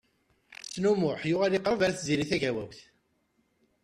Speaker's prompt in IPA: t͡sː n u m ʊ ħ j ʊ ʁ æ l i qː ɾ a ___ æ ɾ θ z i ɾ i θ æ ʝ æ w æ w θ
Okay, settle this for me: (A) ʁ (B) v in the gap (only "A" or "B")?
B